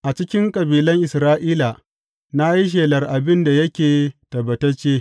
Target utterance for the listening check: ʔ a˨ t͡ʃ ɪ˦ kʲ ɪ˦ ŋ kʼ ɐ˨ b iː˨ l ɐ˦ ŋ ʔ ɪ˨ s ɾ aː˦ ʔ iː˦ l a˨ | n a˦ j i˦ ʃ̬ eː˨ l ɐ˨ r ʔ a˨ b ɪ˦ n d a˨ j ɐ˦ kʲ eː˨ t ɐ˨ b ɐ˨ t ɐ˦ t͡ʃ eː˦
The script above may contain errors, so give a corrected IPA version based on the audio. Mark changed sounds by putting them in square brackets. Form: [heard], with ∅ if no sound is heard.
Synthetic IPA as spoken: ʔ a˨ t͡ʃ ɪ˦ kʲ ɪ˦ ŋ kʼ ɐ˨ b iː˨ l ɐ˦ ŋ ʔ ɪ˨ s ɾ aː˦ ʔ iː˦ l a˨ | n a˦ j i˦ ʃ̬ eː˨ l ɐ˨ r ʔ a˨ b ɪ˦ n d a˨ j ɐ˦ kʲ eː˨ t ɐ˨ b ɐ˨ t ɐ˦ t͡ʃ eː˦